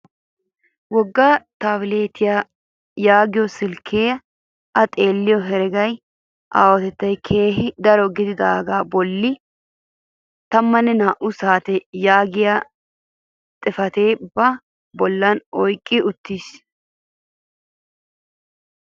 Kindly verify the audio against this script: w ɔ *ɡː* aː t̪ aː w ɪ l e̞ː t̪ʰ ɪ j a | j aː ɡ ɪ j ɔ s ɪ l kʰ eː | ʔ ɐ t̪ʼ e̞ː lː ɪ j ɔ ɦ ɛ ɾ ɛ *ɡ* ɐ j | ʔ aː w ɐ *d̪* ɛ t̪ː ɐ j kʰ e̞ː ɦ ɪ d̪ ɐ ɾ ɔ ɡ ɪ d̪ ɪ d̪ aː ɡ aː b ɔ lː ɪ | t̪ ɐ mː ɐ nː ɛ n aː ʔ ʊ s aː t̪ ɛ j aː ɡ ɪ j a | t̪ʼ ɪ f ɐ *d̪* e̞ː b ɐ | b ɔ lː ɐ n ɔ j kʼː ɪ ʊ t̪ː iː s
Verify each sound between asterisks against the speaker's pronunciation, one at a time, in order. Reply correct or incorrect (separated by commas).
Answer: correct, correct, incorrect, incorrect